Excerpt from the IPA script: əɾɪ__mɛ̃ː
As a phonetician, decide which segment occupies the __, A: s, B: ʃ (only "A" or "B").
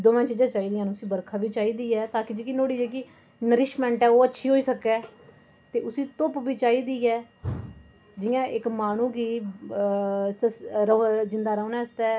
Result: B